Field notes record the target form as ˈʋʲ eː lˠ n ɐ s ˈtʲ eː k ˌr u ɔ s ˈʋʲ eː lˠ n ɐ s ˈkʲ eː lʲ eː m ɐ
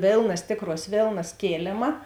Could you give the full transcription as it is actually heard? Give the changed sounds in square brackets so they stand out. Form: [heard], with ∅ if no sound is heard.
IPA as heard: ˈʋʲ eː lˠ n ɐ s ˈtʲ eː k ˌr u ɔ s ˈʋʲ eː lˠ n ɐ s ˈkʲ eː lʲ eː m ɐ

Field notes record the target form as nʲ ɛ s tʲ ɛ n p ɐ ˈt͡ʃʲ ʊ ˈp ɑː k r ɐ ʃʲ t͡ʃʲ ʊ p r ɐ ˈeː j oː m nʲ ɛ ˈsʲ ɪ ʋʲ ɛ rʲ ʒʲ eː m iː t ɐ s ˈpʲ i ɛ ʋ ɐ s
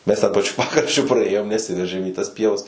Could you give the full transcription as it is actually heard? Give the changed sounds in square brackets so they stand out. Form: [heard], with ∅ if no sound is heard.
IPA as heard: [mʲ] ɛ s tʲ ɛ n p ɐ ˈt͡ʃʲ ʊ ˈp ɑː k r ɐ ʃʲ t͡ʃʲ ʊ p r ɐ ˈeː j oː m nʲ ɛ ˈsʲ ɪ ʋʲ ɛ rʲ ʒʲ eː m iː t ɐ s ˈpʲ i ɛ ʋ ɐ s

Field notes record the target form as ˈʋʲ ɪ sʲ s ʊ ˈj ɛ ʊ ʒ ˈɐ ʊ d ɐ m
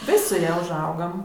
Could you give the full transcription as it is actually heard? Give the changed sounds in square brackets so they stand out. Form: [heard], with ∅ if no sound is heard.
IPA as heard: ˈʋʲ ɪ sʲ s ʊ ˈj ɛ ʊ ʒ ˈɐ ʊ [ɡ] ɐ m

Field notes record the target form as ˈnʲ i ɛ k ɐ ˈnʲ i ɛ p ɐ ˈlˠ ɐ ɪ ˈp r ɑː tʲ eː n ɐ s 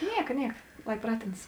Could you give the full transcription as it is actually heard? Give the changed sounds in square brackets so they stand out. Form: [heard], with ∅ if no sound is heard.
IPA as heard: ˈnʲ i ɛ k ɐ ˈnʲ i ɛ [k] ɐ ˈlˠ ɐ ɪ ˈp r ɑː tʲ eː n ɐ s

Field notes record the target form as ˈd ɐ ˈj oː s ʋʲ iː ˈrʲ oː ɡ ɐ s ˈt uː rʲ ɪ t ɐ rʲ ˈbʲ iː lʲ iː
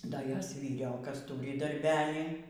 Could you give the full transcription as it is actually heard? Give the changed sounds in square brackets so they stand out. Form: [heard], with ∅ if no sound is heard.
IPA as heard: ˈd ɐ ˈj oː s ʋʲ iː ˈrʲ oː [k] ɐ s ˈt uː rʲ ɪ [d] ɐ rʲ ˈbʲ [æː] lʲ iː

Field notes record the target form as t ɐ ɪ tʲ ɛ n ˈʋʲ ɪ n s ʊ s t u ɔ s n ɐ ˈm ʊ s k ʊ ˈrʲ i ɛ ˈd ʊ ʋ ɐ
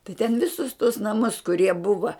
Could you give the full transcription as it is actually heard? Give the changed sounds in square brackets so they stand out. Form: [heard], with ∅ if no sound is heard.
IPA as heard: t ɐ ɪ tʲ ɛ n ˈʋʲ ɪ [∅] s ʊ s t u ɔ s n ɐ ˈm ʊ s k ʊ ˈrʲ i ɛ [ˈb] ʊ ʋ ɐ

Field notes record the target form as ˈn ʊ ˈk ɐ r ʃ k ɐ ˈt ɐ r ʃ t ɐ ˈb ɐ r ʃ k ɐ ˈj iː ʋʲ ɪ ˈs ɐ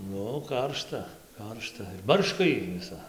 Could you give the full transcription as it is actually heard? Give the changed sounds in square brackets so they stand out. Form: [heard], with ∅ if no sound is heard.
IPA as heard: ˈn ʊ ˈk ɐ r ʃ [t] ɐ [ˈk] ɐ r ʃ t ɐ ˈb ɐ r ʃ k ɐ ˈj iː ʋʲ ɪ ˈs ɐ

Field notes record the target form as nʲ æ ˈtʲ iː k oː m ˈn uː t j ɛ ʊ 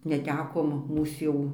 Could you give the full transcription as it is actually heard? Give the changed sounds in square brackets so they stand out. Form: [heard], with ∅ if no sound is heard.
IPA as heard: nʲ [ɛ] ˈtʲ [æː] k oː m [ˈm] uː [s] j ɛ ʊ

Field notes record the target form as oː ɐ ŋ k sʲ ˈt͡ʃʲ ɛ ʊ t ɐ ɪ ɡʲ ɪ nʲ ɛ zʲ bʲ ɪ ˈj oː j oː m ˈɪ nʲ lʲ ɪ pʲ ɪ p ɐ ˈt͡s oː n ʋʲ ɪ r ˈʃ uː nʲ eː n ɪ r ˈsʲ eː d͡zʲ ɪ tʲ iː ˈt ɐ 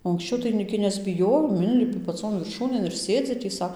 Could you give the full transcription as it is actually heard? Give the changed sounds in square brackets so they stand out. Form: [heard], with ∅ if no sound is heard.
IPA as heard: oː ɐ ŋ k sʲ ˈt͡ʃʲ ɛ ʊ t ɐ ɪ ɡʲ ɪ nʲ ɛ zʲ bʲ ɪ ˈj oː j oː m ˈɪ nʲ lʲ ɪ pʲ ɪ p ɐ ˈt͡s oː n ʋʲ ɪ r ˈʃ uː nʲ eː n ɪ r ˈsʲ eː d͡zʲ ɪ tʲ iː [ˈs] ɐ

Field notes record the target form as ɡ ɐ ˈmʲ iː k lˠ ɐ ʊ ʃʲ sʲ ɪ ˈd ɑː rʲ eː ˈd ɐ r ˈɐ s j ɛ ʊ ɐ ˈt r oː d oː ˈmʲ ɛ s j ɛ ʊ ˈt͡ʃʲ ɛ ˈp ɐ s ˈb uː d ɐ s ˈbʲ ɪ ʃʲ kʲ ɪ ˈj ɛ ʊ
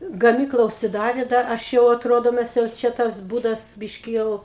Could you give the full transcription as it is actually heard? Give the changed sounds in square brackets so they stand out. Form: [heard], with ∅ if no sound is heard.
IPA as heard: ɡ ɐ ˈmʲ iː k lˠ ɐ ʊ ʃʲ sʲ ɪ ˈd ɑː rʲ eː ˈd ɐ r ˈɐ [ʃ] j ɛ ʊ ɐ ˈt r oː d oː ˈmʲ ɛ s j ɛ ʊ ˈt͡ʃʲ ɛ [ˈt] ɐ s ˈb uː d ɐ s ˈbʲ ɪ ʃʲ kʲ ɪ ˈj ɛ ʊ

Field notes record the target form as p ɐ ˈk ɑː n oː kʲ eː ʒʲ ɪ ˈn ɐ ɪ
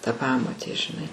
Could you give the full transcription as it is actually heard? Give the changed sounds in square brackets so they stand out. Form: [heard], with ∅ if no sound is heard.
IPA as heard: [t] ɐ [ˈp] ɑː [m] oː [tʲ] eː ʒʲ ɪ ˈn ɐ ɪ

